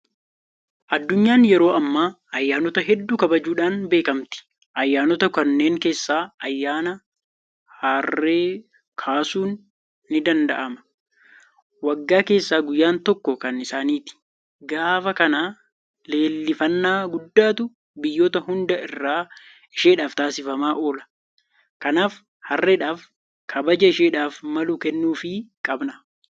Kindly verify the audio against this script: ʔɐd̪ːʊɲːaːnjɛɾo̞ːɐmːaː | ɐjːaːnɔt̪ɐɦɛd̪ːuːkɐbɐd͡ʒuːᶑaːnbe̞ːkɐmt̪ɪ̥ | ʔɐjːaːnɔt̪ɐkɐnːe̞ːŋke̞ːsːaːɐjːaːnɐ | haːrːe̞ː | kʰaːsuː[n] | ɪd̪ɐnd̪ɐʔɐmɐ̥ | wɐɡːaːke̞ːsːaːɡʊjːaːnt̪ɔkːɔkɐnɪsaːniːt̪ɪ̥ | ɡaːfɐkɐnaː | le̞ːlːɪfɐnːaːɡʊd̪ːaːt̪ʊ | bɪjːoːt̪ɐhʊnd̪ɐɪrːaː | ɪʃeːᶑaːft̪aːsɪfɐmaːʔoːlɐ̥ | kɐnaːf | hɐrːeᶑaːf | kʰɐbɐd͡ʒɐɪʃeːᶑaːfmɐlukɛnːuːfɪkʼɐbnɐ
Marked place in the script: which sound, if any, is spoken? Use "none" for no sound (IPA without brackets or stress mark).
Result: nː